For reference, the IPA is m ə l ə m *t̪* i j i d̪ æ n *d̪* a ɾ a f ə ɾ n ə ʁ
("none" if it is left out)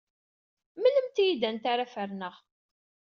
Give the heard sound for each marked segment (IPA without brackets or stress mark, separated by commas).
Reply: t̪, t̪